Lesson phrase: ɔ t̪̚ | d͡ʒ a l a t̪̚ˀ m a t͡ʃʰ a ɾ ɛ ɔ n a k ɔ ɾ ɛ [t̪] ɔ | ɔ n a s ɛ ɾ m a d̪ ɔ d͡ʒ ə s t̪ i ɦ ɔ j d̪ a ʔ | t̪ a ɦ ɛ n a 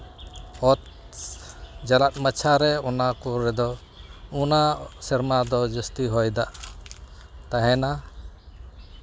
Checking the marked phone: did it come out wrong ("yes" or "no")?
yes